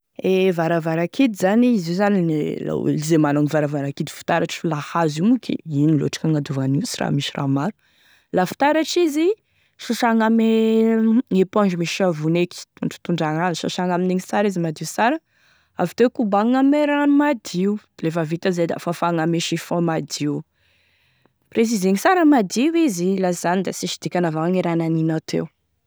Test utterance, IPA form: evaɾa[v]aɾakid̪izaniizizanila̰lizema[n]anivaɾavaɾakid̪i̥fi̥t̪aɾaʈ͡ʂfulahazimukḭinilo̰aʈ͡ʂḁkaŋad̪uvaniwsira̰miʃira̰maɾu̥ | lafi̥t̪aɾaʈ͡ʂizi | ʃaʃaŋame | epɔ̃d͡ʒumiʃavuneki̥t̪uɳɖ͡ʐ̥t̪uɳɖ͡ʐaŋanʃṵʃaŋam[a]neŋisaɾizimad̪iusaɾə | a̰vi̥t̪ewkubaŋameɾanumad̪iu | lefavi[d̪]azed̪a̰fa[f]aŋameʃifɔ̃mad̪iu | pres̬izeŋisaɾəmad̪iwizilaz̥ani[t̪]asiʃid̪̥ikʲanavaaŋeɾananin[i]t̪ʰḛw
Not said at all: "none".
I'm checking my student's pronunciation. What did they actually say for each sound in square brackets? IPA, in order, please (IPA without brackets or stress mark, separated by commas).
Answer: v, n, i, t̪, f, d̪, a